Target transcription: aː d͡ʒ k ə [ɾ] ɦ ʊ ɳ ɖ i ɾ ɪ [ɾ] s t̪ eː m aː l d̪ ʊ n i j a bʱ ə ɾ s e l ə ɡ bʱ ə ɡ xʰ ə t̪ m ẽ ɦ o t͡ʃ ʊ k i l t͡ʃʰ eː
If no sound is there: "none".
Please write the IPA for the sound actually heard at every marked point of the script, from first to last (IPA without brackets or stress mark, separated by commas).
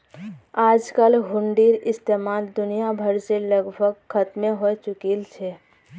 l, none